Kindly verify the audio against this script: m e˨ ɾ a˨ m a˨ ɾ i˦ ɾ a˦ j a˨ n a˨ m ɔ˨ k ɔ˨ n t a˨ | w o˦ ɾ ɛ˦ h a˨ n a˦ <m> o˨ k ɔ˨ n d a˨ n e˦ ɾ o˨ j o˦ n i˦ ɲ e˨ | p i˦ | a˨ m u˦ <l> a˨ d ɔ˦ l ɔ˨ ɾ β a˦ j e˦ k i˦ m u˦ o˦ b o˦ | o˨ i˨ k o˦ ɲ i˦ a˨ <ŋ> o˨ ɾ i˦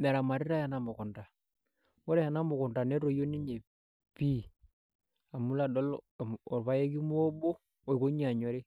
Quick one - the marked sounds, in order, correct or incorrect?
correct, correct, incorrect: ɲ

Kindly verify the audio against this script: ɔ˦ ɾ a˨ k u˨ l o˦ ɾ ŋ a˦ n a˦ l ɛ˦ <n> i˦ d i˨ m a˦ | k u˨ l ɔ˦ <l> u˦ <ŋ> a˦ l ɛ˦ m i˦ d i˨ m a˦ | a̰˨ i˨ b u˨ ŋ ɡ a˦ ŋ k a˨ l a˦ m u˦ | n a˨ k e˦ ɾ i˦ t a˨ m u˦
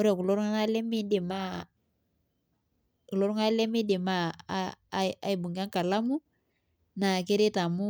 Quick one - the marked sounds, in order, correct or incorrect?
incorrect: m, incorrect: ɾ, correct

